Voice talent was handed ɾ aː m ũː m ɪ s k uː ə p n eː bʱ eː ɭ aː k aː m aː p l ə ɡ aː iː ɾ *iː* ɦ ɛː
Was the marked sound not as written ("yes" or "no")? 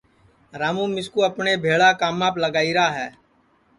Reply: yes